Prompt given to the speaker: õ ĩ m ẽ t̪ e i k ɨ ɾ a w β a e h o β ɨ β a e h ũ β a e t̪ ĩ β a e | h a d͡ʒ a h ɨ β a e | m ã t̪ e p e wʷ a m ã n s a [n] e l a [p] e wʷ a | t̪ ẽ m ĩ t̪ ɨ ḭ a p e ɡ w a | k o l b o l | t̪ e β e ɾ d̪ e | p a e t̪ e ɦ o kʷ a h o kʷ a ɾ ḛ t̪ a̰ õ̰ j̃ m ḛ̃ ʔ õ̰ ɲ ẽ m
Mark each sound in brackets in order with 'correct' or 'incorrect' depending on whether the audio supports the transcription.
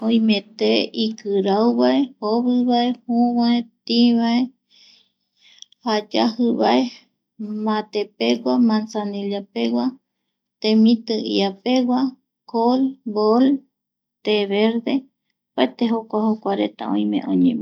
correct, correct

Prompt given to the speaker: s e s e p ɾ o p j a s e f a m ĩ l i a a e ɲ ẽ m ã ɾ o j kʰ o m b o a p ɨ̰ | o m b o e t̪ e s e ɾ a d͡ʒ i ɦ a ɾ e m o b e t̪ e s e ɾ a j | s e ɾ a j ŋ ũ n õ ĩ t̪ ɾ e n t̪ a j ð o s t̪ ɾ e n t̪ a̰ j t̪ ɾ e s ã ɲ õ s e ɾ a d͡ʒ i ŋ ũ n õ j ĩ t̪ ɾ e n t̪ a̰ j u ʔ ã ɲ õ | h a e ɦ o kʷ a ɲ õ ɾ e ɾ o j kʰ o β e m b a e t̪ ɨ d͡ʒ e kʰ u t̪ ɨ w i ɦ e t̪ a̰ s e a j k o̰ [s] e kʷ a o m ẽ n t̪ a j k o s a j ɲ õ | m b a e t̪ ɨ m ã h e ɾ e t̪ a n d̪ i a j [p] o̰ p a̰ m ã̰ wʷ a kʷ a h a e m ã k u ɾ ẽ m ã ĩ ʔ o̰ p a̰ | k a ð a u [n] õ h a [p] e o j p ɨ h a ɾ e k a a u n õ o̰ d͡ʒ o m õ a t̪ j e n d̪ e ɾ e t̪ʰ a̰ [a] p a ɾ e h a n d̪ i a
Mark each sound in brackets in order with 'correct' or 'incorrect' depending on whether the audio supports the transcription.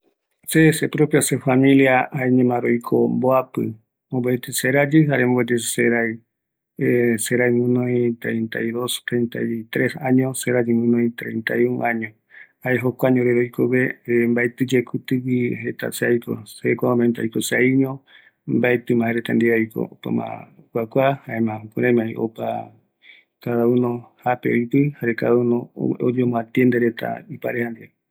correct, incorrect, correct, correct, incorrect

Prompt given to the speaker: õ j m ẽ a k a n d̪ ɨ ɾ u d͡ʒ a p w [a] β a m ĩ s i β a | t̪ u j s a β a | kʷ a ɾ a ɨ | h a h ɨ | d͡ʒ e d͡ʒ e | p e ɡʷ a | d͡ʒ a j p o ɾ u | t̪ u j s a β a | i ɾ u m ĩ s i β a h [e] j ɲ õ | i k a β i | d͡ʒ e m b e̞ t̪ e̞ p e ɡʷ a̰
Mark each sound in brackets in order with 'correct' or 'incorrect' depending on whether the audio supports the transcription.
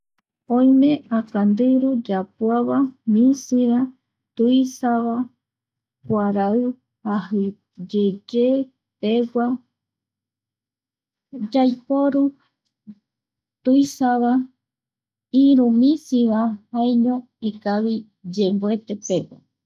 correct, incorrect

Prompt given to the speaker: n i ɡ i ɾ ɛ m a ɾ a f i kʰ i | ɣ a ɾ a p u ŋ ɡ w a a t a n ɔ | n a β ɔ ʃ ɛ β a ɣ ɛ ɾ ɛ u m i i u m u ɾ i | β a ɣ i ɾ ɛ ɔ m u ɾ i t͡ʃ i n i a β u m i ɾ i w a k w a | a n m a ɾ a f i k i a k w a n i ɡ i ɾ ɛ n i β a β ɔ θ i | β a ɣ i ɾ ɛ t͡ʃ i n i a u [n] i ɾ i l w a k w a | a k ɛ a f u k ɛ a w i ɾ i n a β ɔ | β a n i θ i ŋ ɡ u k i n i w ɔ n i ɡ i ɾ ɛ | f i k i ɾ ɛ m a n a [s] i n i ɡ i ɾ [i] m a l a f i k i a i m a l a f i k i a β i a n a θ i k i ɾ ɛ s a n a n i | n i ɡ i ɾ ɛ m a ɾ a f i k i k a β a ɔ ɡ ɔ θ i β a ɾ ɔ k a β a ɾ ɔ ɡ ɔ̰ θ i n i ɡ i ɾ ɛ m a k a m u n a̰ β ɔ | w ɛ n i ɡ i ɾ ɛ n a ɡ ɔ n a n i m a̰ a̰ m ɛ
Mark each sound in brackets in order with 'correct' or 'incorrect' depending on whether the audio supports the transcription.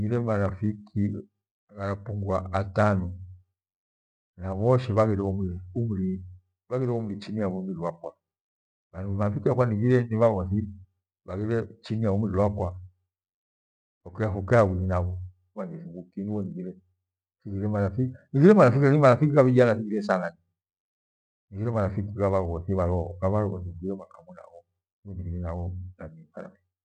incorrect, incorrect, incorrect

